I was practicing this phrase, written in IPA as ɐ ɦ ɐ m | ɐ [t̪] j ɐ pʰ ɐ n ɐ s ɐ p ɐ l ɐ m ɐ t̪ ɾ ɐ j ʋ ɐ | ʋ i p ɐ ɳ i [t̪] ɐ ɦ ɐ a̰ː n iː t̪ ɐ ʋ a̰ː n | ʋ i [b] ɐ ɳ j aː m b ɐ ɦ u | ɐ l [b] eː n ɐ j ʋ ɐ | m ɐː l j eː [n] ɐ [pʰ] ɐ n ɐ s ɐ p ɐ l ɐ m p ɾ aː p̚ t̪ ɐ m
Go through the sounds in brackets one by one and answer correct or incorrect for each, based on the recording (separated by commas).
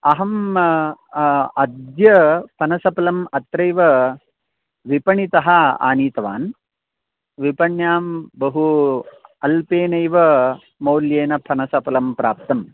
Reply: incorrect, correct, incorrect, incorrect, correct, correct